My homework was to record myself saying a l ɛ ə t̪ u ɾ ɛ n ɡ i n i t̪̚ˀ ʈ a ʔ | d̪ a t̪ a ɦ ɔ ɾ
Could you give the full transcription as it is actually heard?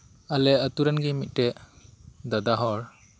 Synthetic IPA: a l ɛ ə t̪ u ɾ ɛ n ɡ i m i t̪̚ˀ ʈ ɛ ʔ | d̪ a d̪ a ɦ ɔ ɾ